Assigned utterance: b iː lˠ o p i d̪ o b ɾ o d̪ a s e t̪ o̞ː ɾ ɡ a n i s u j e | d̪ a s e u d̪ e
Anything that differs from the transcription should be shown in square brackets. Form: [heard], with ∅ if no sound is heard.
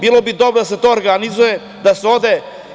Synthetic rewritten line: b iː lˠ o [b] i d̪ o b ɾ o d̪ a s e t̪ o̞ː ɾ ɡ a n i [z] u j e | d̪ a s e [o] d̪ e